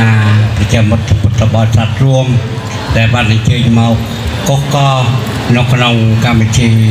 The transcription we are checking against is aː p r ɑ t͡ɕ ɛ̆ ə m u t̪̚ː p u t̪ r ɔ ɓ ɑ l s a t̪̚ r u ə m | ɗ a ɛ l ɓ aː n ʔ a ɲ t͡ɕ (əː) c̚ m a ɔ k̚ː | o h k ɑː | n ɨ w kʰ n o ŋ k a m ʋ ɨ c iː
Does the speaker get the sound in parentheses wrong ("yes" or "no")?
no